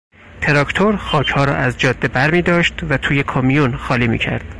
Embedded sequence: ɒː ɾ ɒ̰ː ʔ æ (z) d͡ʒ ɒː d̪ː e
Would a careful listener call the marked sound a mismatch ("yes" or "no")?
no